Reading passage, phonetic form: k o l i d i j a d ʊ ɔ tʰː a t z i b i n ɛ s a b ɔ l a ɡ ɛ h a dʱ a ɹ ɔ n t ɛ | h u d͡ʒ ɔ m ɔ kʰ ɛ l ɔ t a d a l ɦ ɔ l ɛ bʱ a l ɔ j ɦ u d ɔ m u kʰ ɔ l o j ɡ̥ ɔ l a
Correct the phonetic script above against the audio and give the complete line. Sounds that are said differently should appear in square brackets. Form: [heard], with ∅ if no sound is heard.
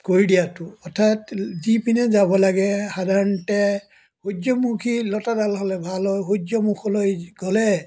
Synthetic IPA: k o [ɹ] i d i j a [t] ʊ ɔ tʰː a t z i [p] i n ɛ [z] a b ɔ l a ɡ ɛ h a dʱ a ɹ ɔ n t ɛ | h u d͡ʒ ɔ m [u] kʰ [i] l ɔ t a d a l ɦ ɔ l ɛ bʱ a l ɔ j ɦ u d ɔ m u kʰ ɔ l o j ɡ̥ ɔ l [ɛ]

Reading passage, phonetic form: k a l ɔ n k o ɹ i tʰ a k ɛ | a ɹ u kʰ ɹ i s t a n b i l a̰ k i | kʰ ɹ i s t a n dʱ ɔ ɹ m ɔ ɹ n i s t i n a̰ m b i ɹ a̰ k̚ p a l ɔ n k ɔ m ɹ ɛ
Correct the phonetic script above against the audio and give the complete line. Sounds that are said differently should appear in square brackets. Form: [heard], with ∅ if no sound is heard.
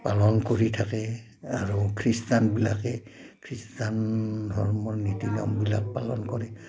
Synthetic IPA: [p] a l ɔ n k o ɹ i tʰ a k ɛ | a ɹ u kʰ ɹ i s t a n b i l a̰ k [ɛ] | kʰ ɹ i s t a n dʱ ɔ ɹ m ɔ ɹ n i [∅] t i n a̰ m b i [l] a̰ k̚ p a l ɔ n k ɔ [∅] ɹ ɛ

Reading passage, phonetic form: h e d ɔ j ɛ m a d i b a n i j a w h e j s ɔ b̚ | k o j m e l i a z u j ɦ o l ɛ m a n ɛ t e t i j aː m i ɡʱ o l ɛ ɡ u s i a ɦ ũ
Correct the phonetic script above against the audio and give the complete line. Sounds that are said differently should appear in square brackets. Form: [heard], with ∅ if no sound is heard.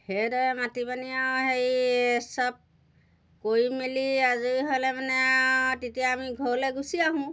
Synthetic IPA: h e d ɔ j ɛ m a [t] i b a n i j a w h e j s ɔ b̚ | k o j m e l i a z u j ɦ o l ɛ m a n ɛ t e t i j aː m i ɡʱ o l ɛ ɡ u s i a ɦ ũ

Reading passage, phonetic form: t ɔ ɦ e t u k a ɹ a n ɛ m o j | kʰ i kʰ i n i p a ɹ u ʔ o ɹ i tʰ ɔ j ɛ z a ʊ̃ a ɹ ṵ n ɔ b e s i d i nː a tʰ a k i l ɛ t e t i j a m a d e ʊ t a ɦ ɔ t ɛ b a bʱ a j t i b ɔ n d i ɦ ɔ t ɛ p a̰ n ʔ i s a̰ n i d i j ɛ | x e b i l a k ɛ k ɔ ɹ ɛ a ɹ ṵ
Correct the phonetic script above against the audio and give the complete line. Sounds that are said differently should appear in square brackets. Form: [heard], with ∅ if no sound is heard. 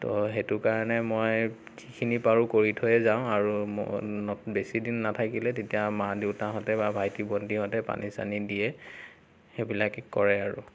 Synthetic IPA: t ɔ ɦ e t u k a ɹ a n ɛ m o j | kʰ i kʰ i n i p a ɹ u [k] o ɹ i tʰ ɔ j ɛ z a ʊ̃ a ɹ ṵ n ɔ b e s i d i nː a tʰ a k i l ɛ t e t i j a m a d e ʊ t a ɦ ɔ t ɛ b a bʱ a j t i b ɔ n d i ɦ ɔ t ɛ p a̰ n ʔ i s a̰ n i d i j ɛ | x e b i l a k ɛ k ɔ ɹ ɛ a ɹ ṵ

